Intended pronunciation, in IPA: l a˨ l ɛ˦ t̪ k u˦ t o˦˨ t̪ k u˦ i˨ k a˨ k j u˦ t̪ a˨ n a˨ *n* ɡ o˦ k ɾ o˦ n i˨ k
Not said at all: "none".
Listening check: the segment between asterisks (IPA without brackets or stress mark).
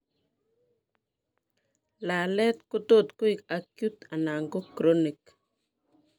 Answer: ŋ